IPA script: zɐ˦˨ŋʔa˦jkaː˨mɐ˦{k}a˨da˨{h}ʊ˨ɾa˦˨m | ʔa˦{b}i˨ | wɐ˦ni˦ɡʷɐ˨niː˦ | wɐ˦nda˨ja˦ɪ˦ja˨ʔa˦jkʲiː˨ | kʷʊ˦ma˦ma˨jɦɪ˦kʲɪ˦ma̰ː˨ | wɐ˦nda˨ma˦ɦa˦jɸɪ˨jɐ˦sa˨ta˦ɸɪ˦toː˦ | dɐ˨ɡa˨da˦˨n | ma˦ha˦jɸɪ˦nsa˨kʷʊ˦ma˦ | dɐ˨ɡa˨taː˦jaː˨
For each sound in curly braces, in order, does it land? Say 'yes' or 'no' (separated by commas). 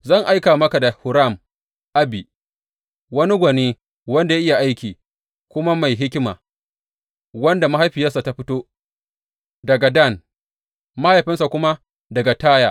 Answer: yes, yes, yes